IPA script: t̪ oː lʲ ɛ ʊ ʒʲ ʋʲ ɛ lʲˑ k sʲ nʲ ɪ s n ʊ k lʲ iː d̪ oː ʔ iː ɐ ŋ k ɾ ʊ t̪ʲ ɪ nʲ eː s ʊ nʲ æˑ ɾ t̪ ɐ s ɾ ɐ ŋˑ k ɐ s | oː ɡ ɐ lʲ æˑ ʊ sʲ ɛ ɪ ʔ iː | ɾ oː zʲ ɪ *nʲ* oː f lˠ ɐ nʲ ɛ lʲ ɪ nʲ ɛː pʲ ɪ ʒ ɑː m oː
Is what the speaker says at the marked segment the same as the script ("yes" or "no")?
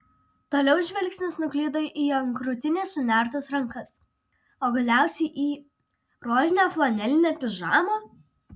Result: yes